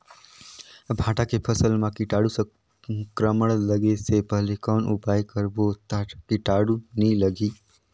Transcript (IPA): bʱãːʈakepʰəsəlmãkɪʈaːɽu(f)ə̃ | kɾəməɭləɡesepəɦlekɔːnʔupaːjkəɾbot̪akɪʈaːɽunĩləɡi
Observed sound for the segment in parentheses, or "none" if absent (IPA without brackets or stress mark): s